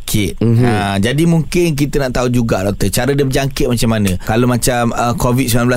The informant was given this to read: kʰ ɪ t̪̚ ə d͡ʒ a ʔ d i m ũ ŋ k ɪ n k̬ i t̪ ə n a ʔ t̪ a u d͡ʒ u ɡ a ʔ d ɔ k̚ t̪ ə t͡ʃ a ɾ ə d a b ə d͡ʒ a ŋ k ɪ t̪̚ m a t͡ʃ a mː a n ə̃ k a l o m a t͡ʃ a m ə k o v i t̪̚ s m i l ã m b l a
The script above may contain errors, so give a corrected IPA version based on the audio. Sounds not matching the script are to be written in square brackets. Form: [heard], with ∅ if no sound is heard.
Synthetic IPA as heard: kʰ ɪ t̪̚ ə d͡ʒ a [∅] d i m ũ ŋ k ɪ n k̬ i t̪ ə n a ʔ t̪ a u d͡ʒ u ɡ a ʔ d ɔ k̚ t̪ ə t͡ʃ a ɾ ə d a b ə d͡ʒ a ŋ k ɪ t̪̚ m a t͡ʃ a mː a n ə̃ k a l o m a t͡ʃ a m ə k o v i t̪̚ s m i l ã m b l a